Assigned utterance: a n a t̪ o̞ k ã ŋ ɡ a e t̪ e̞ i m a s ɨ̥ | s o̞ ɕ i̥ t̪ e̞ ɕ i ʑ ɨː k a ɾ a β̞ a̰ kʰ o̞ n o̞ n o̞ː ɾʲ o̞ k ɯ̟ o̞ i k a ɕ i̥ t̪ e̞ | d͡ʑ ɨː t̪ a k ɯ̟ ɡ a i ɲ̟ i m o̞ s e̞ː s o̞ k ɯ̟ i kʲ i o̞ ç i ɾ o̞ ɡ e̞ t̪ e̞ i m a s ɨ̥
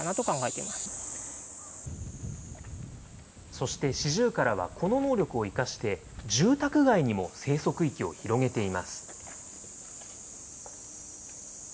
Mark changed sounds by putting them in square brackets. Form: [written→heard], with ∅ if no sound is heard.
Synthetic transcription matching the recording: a n a t̪ o̞ k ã ŋ ɡ a e t̪ e̞ i m a s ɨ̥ | s o̞ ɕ i̥ t̪ e̞ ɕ i ʑ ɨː k a ɾ a β̞ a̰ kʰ o̞ n o̞ n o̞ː ɾʲ o̞ k ɯ̟ o̞ i k a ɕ i̥ t̪ e̞ | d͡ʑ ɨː t̪ a k ɯ̟ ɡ a i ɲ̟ i m o̞ s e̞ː s o̞ k ɯ̟ i kʲ i o̞ ç i ɾ o̞ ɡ e̞ t̪ e̞ i m a s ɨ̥